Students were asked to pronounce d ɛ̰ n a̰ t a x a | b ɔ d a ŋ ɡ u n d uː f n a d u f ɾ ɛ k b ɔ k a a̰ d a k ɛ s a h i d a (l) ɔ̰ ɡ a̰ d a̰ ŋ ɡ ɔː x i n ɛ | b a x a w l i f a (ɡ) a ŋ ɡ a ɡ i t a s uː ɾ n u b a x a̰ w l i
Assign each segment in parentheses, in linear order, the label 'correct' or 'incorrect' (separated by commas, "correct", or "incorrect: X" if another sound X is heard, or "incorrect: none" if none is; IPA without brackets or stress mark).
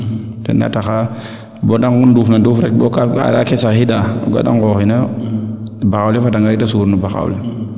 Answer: incorrect: none, incorrect: d